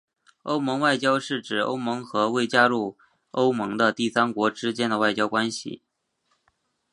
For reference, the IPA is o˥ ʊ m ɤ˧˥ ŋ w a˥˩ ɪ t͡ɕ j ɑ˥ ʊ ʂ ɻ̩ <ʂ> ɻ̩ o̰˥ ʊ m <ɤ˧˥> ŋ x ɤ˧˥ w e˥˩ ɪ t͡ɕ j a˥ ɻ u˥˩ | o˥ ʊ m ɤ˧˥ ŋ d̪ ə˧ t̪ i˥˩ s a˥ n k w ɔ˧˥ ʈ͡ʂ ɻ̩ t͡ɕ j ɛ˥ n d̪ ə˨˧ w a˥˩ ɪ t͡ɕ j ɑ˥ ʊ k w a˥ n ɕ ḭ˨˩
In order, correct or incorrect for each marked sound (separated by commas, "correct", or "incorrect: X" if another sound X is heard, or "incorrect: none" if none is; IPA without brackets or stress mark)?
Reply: incorrect: ʈ͡ʂ, correct